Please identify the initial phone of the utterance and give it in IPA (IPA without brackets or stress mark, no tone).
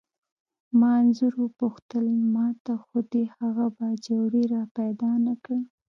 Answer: m